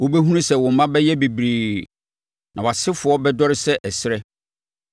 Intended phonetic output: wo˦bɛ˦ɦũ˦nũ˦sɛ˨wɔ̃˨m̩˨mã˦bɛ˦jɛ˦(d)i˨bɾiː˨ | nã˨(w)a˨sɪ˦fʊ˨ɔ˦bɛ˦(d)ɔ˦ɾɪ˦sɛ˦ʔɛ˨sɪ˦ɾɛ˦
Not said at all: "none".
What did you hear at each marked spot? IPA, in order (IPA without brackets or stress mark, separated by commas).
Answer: b, w, d